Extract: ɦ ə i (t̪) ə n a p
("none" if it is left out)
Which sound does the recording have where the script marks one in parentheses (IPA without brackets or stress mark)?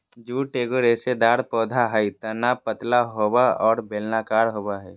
t̪